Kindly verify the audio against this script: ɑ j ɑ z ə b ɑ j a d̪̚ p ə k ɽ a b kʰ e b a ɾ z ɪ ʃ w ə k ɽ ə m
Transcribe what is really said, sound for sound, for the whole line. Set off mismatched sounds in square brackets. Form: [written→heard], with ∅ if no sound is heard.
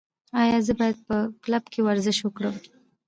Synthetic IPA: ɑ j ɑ z ə b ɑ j a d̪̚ p ə k [ɽ→l] a b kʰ e [b→w] a ɾ z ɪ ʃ w ə k ɽ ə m